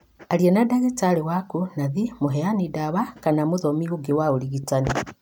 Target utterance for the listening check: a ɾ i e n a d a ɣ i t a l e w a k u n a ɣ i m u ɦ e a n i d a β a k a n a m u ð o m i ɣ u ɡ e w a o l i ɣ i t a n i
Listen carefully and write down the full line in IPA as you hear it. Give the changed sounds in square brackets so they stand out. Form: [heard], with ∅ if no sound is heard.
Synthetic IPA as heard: a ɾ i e n a d a ɣ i t a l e w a k u n a [ð] i m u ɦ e a n i d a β a k a n a m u ð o m i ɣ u ɡ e w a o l i ɣ i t a n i